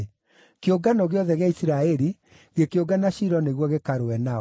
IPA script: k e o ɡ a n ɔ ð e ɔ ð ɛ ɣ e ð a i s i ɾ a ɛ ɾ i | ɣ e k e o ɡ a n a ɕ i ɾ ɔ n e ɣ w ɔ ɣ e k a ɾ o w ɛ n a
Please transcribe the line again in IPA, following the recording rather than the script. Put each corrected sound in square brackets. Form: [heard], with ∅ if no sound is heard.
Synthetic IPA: k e o ɡ a n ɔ [ɣ] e ɔ ð ɛ ɣ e [∅] a i s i ɾ a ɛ ɾ i | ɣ e k e o ɡ a n a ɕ i ɾ ɔ n e ɣ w ɔ ɣ e k a ɾ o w ɛ n a